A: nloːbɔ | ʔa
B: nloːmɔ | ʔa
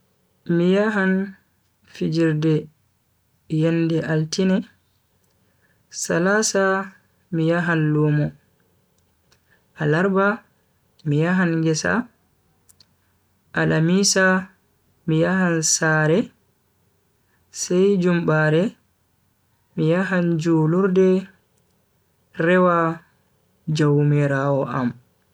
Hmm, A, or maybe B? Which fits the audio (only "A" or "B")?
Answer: B